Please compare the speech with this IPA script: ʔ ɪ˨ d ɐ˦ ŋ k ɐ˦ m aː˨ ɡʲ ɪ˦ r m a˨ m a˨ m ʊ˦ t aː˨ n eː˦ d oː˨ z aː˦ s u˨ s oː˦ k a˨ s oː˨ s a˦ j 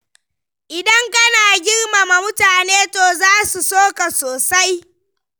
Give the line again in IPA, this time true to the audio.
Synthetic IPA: ʔ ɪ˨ d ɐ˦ ŋ k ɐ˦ n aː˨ ɡʲ ɪ˦ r m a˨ m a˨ m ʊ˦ t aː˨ n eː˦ t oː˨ z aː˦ s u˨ s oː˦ k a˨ s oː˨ s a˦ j